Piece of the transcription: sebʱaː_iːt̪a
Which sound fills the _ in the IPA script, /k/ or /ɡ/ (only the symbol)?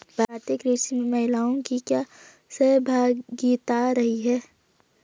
ɡ